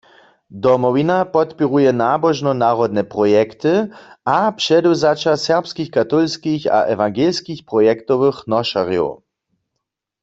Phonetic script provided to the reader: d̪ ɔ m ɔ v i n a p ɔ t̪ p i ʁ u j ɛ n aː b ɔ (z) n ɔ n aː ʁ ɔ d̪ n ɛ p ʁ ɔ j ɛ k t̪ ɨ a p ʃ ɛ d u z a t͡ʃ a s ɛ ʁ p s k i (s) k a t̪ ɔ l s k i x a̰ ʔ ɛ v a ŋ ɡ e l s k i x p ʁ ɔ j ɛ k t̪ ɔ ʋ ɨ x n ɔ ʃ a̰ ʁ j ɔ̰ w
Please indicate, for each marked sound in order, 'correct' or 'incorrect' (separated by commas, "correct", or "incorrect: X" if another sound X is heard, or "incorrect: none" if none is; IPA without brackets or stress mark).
incorrect: ʒ, incorrect: x